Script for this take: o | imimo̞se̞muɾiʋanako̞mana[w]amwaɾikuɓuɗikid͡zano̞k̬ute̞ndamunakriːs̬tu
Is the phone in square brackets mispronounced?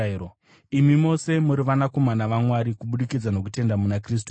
yes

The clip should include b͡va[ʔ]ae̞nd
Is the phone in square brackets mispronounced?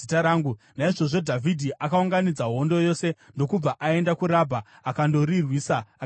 no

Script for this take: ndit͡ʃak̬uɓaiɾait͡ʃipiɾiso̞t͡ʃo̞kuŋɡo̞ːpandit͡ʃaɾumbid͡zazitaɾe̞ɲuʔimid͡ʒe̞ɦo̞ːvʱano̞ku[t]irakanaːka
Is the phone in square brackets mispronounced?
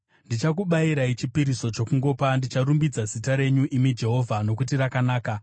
no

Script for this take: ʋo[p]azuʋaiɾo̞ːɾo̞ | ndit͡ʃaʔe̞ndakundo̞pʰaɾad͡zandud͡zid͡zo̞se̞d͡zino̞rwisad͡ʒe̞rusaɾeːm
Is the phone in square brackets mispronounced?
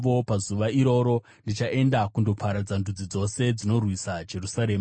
no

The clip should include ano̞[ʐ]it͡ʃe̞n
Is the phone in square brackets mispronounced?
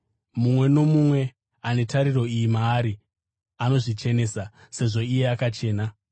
no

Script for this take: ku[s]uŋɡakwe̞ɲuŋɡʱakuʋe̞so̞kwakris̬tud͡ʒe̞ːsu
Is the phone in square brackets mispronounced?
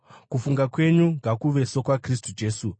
yes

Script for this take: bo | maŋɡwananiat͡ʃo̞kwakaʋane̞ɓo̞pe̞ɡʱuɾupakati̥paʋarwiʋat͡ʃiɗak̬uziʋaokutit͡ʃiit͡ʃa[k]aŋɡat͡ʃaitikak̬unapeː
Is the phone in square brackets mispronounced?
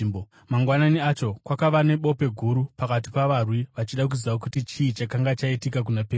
no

